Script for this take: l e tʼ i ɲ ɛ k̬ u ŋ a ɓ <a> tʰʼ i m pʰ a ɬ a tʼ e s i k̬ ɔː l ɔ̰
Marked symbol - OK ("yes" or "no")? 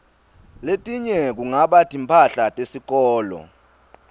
yes